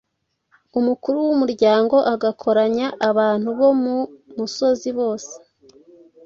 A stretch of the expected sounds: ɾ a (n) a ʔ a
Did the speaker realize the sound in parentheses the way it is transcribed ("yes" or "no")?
no